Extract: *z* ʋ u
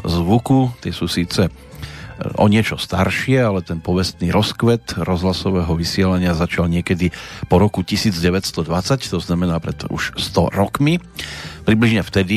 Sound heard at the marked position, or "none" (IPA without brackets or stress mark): z